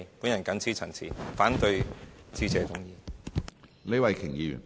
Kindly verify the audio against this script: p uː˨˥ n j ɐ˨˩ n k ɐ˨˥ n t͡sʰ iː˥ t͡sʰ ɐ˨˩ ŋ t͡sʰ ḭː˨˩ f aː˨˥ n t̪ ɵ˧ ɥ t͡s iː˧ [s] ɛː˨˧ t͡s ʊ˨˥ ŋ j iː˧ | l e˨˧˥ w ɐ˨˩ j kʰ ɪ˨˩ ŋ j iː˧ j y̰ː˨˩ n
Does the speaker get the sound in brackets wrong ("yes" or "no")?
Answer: yes